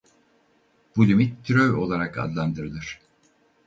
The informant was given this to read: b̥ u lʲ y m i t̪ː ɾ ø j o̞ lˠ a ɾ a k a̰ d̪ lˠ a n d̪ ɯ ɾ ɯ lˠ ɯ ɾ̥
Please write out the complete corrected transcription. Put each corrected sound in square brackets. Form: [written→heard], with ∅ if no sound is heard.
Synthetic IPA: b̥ u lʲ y m i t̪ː ɾ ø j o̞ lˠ a ɾ a k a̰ d̪ lˠ a n d̪ ɯ ɾ ɯ lˠ ɯ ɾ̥

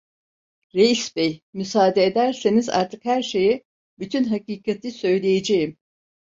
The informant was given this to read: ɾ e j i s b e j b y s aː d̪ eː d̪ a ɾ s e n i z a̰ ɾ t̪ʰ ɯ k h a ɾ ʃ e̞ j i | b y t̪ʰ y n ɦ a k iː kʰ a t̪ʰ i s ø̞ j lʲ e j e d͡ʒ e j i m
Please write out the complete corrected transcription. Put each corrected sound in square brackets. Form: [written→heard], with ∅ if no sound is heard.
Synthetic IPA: ɾ e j i s b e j [b→m] y s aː d̪ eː d̪ [a→æ] ɾ s e n i z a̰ ɾ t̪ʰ ɯ k h [a→æ] ɾ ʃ e̞ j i | b y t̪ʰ y n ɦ a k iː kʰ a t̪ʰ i s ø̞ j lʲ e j e d͡ʒ e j i m

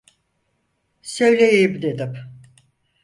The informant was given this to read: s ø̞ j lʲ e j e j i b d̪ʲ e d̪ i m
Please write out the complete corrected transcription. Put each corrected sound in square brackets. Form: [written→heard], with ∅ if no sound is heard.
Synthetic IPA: s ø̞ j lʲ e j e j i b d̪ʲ e d̪ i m

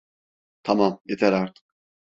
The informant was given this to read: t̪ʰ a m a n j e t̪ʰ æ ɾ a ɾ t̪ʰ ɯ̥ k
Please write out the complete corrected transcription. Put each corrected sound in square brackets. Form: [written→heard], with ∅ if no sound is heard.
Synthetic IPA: t̪ʰ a m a [n→m] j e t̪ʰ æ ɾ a ɾ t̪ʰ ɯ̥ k

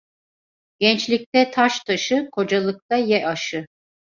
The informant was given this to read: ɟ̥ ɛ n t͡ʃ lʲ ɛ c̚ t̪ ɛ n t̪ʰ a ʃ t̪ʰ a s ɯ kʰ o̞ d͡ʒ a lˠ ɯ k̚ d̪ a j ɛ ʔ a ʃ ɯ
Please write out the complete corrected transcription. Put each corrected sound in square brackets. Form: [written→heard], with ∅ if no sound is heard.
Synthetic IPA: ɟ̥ ɛ n t͡ʃ lʲ [ɛ→i] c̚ t̪ ɛ [n→∅] t̪ʰ a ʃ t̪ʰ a [s→ʃ] ɯ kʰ o̞ d͡ʒ a lˠ ɯ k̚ [d̪→t̪] a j ɛ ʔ a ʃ ɯ

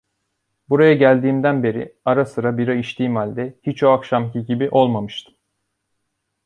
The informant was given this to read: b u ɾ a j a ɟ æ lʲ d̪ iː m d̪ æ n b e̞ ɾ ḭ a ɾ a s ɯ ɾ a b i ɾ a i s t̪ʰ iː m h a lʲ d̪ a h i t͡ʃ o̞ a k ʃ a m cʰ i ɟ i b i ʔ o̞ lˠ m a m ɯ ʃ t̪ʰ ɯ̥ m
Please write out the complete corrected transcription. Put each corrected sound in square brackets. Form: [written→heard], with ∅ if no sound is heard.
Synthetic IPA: b u ɾ a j a ɟ æ lʲ d̪ iː m d̪ æ n b e̞ ɾ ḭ a ɾ a s ɯ ɾ a b i ɾ a i [s→ʃ] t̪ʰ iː m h a lʲ d̪ [a→ɛ] h i t͡ʃ o̞ a k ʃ a m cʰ i ɟ i b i ʔ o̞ lˠ m a m ɯ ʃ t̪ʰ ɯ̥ m

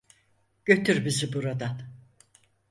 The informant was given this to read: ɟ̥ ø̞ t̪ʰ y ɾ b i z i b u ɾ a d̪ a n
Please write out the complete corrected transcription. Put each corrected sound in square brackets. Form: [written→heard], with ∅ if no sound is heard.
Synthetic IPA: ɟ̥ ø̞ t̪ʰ y ɾ b i z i b u ɾ a d̪ a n

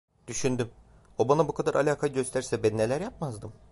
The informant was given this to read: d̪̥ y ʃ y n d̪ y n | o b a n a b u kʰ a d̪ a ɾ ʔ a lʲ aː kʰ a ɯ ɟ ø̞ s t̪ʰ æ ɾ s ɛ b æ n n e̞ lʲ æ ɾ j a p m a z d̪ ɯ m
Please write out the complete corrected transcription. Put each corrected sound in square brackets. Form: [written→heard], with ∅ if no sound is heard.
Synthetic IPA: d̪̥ y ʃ y n d̪ y [n→m] | o b a n a b u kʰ a d̪ a ɾ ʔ a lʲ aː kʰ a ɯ ɟ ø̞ s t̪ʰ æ ɾ s ɛ b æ n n e̞ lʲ æ ɾ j a p m a z d̪ ɯ m

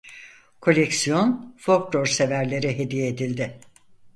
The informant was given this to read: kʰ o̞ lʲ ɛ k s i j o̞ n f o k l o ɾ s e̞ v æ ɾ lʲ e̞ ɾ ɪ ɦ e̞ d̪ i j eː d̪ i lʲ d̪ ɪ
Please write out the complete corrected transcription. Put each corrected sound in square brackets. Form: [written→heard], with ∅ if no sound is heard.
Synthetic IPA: kʰ o̞ lʲ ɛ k s i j o̞ n f o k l o ɾ s e̞ v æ ɾ lʲ e̞ ɾ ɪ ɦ e̞ d̪ i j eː d̪ i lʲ d̪ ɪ

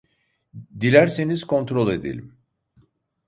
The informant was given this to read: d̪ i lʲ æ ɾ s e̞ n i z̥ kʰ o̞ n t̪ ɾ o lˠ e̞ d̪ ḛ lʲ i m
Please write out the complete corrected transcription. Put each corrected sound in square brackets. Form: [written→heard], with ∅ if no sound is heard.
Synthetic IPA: d̪ i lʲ æ ɾ s e̞ n i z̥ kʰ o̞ n t̪ ɾ o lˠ e̞ d̪ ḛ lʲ i m

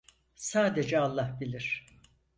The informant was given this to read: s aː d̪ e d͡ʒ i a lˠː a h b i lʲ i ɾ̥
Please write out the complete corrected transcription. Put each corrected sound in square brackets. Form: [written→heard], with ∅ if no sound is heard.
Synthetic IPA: s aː d̪ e d͡ʒ [i→ɛ] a lˠː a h b i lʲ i ɾ̥

